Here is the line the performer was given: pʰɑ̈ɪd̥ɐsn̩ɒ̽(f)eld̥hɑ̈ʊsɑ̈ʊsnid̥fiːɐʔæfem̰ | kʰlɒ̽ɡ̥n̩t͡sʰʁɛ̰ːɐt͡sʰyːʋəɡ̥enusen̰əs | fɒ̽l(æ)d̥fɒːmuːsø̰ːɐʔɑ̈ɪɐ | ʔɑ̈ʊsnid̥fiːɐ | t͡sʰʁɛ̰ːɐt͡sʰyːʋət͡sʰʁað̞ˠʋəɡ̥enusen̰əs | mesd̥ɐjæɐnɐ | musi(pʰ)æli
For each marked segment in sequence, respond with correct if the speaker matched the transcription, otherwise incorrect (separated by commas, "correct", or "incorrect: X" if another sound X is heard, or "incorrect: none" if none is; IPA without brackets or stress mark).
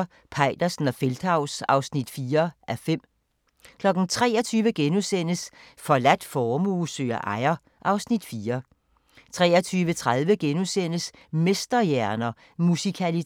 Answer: correct, correct, incorrect: kʰ